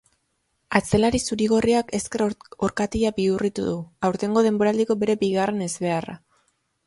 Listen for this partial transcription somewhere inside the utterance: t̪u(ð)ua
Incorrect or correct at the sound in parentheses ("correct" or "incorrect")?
correct